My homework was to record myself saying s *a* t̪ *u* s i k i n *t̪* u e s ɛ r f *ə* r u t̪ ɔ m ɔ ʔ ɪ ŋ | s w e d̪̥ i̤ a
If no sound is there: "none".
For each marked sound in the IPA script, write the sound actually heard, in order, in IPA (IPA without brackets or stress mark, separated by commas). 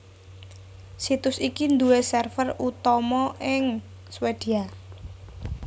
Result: i, ʊ, d̪, ə